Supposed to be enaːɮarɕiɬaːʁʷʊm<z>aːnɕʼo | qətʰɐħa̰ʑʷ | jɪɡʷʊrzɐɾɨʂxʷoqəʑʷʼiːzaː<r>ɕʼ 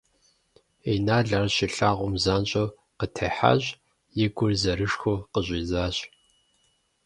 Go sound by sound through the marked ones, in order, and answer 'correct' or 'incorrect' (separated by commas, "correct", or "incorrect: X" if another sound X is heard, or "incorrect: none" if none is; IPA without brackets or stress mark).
correct, incorrect: none